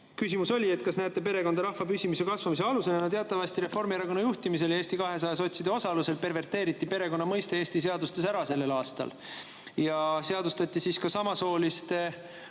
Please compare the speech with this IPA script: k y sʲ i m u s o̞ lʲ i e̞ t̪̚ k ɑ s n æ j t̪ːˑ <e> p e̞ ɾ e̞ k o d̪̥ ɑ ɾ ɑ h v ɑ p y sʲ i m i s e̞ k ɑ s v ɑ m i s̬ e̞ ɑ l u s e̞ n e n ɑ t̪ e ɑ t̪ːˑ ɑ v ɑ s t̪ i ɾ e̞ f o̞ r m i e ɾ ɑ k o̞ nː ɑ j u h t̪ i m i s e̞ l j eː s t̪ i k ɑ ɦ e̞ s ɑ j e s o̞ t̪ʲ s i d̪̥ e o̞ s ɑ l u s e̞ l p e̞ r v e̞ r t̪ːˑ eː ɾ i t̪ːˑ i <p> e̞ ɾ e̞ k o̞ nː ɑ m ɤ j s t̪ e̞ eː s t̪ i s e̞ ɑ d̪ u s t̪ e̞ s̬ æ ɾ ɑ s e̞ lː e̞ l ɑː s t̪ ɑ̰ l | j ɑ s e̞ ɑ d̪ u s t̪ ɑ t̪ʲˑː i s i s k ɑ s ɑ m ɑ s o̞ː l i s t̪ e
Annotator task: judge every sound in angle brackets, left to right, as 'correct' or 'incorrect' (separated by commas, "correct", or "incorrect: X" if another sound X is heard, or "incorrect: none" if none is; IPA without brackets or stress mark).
correct, correct